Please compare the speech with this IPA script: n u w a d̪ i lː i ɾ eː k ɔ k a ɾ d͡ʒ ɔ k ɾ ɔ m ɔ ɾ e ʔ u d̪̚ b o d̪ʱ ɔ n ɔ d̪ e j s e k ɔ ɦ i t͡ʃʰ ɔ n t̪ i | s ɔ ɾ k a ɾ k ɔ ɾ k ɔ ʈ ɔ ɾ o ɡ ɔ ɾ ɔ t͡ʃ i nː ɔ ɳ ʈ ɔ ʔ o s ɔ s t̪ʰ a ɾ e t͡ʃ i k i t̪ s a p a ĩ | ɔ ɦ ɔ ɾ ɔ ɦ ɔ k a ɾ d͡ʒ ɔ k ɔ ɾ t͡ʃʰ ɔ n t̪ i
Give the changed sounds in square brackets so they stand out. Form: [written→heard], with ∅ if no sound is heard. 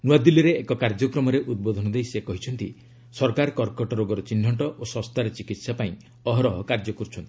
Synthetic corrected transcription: n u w a d̪ i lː i ɾ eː k ɔ k a ɾ d͡ʒ ɔ k ɾ ɔ m ɔ ɾ e ʔ u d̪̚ b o d̪ʱ ɔ n ɔ d̪ e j s e k ɔ ɦ i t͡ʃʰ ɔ n t̪ i | s ɔ ɾ k a ɾ k ɔ ɾ k ɔ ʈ ɔ ɾ o ɡ ɔ ɾ ɔ t͡ʃ i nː ɔ ɳ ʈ ɔ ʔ o s ɔ s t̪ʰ a ɾ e t͡ʃ i k i t̪ s a p a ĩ | ɔ ɦ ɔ ɾ ɔ ɦ ɔ k a ɾ d͡ʒ ɔ k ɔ ɾ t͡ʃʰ ɔ n t̪ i